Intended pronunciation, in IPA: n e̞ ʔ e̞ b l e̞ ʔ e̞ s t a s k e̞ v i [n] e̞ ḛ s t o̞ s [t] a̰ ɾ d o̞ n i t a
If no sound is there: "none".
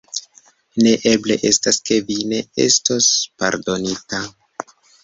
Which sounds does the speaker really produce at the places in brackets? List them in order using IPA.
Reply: n, p

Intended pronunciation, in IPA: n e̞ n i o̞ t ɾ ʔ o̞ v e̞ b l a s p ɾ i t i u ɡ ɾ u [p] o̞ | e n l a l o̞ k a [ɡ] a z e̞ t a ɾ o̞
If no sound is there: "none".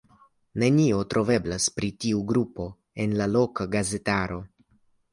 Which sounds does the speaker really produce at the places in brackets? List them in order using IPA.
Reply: p, ɡ

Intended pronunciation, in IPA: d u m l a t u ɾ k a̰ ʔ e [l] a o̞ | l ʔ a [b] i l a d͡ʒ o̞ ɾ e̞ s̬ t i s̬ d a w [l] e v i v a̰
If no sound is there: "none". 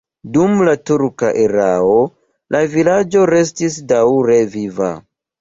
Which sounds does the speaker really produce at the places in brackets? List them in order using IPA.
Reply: ɾ, v, ɾ

